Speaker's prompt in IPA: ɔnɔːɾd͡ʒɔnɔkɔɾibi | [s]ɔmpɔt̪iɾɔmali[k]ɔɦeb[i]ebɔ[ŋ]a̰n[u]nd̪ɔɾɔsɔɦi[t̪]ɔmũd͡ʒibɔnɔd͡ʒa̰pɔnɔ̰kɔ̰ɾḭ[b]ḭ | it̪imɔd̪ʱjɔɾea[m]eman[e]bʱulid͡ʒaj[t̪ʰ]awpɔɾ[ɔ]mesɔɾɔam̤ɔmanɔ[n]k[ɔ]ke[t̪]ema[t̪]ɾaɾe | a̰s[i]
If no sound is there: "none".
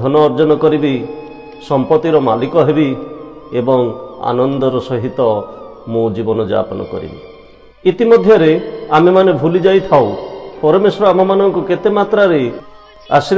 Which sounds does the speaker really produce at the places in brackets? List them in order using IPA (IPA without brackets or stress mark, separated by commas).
s, k, i, ŋ, ɔ, t̪, b, m, e, t̪ʰ, ɔ, ŋ, u, t̪, t̪, i